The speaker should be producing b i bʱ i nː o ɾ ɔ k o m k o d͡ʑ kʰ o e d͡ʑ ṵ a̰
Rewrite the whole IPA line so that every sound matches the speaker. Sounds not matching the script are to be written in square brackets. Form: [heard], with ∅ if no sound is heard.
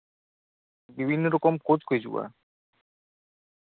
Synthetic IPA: b i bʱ i nː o ɾ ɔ k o m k o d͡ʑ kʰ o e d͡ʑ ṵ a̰